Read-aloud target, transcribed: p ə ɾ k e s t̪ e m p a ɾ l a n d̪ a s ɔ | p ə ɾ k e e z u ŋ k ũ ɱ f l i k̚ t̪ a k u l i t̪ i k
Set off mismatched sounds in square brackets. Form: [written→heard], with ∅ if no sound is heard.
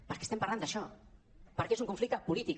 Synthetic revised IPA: p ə ɾ k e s t̪ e m p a ɾ l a n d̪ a [s→ʃ] ɔ | p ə ɾ k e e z u ŋ k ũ ɱ f l i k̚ t̪ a [k→p] u l i t̪ i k